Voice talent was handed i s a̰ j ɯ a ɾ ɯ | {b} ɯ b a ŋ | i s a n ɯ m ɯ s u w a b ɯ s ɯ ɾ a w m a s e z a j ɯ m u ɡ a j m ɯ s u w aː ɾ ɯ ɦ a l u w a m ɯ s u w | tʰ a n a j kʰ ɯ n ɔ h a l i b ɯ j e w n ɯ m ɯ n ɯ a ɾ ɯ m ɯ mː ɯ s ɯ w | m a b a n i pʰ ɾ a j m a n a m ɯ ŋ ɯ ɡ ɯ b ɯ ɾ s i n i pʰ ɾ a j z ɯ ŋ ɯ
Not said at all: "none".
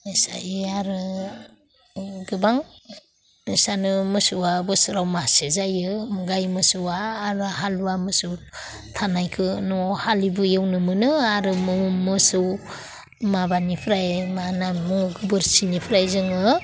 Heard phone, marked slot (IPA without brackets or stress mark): ɡ